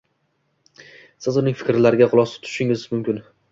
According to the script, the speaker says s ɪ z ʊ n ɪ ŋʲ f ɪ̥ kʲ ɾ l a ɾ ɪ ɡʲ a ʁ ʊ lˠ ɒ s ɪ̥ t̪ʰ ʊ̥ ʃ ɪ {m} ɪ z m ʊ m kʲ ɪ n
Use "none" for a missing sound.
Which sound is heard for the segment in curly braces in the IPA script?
ŋ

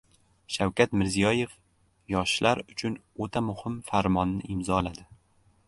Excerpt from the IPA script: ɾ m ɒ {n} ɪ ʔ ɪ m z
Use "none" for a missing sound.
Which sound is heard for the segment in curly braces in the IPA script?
nː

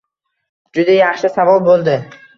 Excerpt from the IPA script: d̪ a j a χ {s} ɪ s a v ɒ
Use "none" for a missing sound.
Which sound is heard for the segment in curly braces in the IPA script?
ʃ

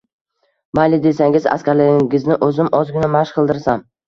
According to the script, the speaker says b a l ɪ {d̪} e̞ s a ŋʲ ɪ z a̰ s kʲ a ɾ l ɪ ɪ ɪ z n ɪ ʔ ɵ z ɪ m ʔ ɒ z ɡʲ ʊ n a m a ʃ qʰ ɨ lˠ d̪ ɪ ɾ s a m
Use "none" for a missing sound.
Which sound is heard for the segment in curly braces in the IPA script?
d̪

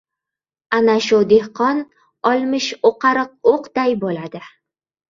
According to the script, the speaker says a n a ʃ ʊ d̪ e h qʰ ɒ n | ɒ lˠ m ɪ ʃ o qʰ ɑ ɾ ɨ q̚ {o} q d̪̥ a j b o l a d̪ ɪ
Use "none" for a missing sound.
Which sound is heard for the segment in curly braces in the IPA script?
o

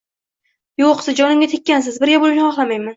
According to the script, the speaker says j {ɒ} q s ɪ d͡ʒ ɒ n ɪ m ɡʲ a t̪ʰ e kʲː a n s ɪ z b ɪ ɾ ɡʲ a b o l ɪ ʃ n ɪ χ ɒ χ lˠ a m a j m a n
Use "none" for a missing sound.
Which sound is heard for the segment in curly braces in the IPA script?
o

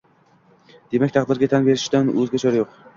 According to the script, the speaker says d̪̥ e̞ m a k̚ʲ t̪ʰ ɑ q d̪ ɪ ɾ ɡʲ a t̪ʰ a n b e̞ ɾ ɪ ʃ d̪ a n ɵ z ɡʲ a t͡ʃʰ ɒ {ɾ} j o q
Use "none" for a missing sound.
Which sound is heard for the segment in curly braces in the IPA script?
ɾ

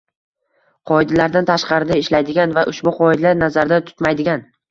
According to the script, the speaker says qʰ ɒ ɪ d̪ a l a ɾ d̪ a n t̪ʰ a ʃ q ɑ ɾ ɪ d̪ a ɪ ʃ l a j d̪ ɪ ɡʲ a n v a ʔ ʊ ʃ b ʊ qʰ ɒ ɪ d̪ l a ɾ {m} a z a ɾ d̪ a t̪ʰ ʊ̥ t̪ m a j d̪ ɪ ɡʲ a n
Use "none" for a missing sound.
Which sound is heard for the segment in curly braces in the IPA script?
n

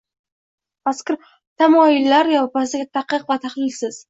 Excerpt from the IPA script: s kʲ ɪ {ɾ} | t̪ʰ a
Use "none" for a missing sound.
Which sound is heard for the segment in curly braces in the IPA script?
ɾ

